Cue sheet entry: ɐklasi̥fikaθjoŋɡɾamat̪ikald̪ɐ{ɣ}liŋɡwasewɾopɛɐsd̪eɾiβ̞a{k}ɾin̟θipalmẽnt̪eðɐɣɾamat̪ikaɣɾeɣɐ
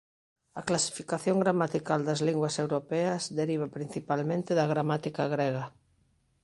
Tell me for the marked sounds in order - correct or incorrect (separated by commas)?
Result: incorrect, incorrect